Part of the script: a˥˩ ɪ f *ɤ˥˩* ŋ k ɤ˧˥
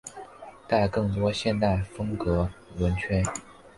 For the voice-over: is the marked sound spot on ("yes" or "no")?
no